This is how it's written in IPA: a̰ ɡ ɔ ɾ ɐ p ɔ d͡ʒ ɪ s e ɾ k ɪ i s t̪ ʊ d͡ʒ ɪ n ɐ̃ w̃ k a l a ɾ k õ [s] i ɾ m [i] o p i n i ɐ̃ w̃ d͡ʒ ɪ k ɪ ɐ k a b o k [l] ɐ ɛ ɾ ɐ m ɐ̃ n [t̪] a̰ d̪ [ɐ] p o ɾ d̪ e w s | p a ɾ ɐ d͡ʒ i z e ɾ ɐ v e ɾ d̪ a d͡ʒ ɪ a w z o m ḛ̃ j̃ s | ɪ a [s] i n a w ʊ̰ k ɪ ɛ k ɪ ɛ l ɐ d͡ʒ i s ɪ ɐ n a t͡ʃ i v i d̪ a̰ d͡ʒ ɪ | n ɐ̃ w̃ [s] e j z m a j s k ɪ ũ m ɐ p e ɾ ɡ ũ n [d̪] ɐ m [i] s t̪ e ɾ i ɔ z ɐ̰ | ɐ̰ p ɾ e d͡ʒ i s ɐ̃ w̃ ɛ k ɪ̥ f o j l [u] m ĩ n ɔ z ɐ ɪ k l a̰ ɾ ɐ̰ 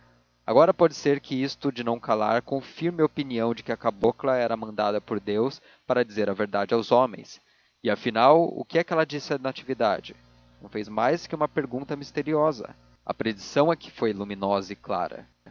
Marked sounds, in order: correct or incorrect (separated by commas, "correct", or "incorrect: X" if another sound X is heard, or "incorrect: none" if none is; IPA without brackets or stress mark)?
incorrect: f, incorrect: ɪ, correct, incorrect: d̪, correct, incorrect: f, incorrect: f, incorrect: t̪, correct, correct